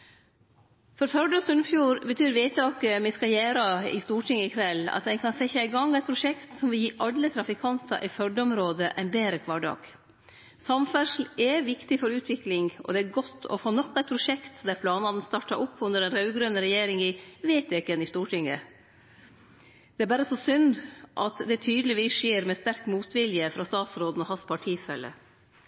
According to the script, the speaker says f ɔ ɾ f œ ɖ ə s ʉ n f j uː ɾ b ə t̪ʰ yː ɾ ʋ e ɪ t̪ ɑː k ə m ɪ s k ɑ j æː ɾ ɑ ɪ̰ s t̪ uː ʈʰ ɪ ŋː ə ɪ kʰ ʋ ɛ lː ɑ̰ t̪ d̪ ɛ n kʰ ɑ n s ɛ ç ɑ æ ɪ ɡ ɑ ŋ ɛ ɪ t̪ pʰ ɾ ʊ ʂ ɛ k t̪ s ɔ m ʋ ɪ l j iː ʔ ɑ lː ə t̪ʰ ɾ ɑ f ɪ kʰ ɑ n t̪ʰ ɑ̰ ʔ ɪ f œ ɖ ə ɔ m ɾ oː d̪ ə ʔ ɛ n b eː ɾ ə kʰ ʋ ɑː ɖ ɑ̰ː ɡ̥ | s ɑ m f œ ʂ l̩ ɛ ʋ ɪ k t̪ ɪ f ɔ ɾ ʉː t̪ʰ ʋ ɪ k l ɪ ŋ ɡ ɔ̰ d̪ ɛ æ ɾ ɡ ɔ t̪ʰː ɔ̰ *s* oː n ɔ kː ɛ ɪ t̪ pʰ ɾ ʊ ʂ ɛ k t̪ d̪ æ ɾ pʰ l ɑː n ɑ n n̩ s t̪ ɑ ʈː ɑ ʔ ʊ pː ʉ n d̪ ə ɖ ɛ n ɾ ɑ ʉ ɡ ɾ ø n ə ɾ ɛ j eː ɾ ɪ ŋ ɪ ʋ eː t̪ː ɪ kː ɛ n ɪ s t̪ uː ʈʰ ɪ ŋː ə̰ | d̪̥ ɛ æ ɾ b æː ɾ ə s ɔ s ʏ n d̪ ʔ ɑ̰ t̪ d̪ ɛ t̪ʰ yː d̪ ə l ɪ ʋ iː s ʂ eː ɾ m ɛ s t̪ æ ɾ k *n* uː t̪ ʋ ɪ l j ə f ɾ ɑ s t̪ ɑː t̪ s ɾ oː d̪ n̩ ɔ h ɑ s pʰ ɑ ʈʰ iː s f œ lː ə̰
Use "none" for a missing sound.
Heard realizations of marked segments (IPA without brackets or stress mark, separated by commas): f, m